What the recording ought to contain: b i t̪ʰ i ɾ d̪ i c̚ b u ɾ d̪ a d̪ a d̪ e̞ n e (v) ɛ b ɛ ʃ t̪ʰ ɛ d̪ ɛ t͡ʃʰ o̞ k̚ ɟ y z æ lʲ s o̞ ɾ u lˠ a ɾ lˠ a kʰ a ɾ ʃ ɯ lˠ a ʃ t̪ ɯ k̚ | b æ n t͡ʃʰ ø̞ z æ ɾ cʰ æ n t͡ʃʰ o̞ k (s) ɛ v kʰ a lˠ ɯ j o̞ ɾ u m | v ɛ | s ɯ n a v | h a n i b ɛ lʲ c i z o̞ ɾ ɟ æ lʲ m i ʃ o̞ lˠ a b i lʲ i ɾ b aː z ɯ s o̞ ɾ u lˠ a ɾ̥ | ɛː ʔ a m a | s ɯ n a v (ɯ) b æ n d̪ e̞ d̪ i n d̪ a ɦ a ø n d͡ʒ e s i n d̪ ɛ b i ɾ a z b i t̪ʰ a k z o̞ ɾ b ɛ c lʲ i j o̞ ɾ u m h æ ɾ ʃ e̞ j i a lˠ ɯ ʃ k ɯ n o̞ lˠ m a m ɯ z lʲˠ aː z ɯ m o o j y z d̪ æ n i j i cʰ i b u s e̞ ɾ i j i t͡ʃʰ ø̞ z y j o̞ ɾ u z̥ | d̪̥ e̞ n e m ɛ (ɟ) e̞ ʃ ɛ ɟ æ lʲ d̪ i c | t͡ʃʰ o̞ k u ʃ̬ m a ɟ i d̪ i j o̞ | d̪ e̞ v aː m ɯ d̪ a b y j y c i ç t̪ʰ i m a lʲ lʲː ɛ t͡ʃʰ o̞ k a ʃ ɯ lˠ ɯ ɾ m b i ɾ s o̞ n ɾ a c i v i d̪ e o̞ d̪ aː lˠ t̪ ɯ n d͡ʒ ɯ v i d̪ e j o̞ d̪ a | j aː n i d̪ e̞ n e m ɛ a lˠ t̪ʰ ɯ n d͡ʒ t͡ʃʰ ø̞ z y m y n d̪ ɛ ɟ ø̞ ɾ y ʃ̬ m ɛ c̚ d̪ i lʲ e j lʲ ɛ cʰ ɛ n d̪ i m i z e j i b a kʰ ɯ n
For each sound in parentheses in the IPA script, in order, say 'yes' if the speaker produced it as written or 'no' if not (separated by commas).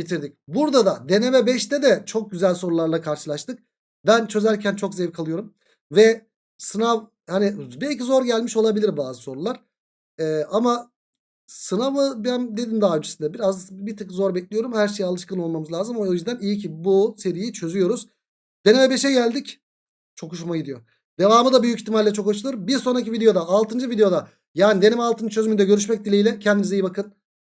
yes, no, yes, no